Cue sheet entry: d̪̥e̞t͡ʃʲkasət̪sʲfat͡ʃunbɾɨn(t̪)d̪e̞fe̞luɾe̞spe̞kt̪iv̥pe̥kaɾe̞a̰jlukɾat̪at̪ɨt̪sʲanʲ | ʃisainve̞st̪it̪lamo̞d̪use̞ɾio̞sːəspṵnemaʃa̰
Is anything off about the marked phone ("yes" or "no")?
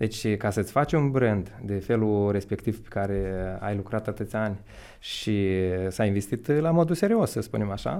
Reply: yes